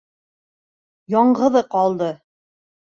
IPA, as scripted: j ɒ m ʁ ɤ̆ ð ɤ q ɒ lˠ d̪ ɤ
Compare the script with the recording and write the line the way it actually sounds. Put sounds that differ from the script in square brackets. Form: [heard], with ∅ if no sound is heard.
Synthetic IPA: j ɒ [ɴ] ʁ ɤ̆ ð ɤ q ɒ lˠ d̪ ɤ

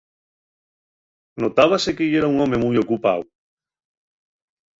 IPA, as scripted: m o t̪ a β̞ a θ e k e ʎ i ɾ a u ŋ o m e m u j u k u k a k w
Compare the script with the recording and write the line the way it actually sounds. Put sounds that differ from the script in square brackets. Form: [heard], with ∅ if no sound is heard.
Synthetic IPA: [n] o t̪ a β̞ a [s] e k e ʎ [e] ɾ a u ŋ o m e m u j [o] k u [p] a [∅] w

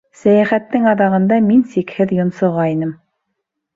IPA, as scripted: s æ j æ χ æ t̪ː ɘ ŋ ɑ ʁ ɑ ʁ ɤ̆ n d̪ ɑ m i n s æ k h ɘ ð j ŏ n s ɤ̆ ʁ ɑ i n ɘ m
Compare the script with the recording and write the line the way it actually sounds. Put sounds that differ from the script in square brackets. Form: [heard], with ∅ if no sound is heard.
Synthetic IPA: s æ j æ χ æ t̪ː ɘ ŋ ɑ [ð] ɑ ʁ ɤ̆ n d̪ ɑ m i n s [i] k h ɘ ð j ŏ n s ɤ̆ ʁ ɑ i n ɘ m

